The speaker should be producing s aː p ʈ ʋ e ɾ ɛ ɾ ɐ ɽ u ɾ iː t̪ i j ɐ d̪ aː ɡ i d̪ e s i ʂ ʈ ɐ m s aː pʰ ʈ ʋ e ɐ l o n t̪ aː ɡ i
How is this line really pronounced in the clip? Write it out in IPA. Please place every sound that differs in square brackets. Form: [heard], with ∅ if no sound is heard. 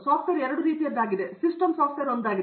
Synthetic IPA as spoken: s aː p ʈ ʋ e ɾ ɛ ɾ ɐ ɽ u ɾ iː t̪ i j ɐ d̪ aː ɡ i d̪ e s i [s] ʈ ɐ m s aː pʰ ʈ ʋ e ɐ [ɾ] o n [d̪] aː ɡ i